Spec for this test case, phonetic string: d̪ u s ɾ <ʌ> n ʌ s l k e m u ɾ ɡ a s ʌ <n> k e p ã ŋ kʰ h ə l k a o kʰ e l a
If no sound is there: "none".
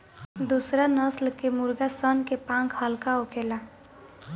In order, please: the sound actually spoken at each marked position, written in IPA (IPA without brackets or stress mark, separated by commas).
a, n